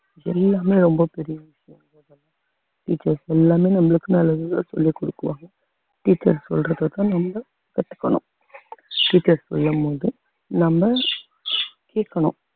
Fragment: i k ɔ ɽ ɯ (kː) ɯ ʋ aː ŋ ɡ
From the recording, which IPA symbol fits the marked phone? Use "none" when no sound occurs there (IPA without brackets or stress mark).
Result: kː